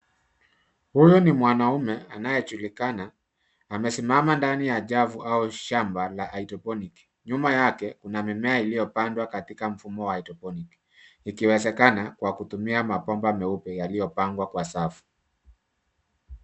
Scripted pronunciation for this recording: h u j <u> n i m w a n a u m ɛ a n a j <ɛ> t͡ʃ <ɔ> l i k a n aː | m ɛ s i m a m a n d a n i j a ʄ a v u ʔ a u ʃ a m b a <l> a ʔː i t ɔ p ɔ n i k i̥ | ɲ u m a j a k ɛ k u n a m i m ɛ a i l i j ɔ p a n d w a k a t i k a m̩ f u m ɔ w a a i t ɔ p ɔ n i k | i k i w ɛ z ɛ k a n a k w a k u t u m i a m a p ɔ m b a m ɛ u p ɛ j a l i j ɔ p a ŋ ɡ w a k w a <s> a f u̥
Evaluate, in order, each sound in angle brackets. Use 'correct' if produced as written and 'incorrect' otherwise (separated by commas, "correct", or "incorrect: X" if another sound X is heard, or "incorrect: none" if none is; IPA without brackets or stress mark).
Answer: incorrect: ɔ, correct, incorrect: u, correct, correct